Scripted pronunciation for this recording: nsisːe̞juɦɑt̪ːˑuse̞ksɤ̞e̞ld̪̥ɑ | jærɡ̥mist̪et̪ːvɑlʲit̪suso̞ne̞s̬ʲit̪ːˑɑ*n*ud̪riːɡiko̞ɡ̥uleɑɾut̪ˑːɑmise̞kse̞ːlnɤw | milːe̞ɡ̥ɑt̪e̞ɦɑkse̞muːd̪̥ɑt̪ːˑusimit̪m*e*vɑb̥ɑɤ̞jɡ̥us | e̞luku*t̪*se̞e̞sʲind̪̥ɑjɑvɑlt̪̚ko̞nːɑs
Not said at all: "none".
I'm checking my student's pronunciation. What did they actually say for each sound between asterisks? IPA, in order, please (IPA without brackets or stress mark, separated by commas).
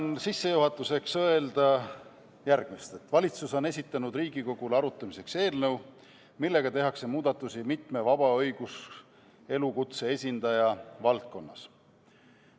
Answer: n, e, t̪